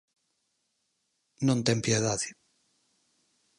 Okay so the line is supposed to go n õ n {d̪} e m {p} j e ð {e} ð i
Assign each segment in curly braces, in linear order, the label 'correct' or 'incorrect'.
incorrect: t̪, correct, incorrect: a

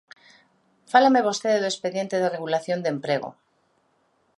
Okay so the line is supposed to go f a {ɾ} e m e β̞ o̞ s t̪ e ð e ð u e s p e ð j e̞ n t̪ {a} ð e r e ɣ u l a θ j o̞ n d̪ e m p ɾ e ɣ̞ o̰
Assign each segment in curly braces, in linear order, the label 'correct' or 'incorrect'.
incorrect: l, incorrect: e

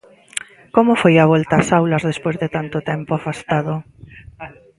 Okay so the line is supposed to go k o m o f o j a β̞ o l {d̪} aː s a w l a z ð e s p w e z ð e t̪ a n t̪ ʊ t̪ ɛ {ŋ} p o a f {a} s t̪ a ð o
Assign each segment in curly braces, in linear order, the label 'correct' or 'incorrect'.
incorrect: t̪, incorrect: m, correct

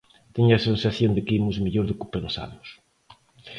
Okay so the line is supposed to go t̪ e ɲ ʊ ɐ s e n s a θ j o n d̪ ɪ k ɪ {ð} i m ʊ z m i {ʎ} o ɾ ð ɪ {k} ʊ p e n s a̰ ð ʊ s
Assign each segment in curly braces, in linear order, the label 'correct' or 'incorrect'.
incorrect: none, correct, correct

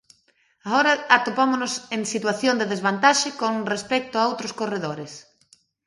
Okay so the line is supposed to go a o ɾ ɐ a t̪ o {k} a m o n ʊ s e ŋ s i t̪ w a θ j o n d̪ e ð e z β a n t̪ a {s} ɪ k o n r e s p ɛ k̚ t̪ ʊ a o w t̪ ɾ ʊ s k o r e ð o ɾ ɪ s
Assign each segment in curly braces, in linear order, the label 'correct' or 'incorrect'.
incorrect: p, incorrect: ʃ

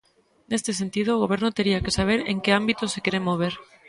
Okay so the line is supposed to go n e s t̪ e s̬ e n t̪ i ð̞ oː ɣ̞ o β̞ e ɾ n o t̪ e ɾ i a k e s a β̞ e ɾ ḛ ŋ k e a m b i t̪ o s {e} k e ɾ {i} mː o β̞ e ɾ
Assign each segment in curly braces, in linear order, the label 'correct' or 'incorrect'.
correct, incorrect: e

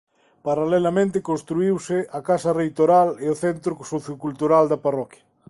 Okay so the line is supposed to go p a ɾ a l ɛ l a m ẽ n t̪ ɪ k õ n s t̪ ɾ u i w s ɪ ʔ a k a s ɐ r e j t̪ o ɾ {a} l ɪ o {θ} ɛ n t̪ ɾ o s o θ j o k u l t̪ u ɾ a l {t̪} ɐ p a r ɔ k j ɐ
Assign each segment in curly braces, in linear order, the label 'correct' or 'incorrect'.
correct, correct, incorrect: d̪

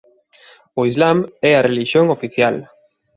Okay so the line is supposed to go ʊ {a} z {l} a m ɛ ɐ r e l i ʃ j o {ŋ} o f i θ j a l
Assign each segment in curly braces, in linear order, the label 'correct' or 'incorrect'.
incorrect: i, correct, correct

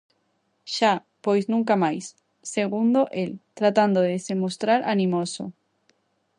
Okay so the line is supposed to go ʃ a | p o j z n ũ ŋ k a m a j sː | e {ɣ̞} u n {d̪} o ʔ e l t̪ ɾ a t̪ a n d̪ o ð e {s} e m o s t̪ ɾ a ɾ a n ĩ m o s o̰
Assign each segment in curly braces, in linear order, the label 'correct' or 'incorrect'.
correct, correct, correct

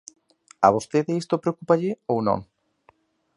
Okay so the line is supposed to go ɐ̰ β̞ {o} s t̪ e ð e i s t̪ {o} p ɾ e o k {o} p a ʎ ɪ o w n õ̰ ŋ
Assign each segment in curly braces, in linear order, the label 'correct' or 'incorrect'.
correct, correct, incorrect: u

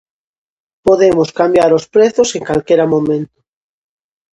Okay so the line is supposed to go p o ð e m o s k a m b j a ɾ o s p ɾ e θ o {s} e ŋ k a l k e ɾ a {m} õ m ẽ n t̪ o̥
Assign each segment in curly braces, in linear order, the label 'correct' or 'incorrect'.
correct, correct

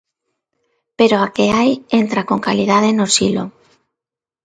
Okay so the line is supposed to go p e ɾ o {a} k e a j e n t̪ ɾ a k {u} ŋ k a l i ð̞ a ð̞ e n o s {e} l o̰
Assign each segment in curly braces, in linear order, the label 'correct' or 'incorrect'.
correct, incorrect: o, incorrect: i

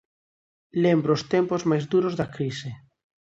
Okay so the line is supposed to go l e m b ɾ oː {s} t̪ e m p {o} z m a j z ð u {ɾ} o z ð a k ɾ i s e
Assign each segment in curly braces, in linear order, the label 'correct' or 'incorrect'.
correct, correct, correct

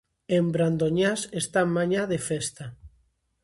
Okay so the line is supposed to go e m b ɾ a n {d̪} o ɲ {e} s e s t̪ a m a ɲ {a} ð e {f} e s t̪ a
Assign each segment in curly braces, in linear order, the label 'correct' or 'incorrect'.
correct, incorrect: a, correct, correct

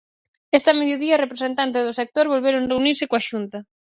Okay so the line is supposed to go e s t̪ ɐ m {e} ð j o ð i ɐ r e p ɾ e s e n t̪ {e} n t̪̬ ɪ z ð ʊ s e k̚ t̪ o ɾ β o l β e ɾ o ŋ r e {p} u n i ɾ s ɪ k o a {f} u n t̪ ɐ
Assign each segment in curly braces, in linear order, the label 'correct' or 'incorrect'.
correct, incorrect: a, incorrect: none, incorrect: ʃ

